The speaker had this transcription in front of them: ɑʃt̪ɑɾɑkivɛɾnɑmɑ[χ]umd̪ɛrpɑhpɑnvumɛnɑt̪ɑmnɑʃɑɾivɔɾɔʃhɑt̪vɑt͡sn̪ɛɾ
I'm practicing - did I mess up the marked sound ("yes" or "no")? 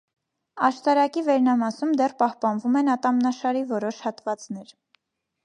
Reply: yes